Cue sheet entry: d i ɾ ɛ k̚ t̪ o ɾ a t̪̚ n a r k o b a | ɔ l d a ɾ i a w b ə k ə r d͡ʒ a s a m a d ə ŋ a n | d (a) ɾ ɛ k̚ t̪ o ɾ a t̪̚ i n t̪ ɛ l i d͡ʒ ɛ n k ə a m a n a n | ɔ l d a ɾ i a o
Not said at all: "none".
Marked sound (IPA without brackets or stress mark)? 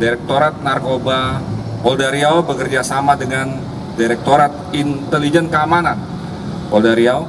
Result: i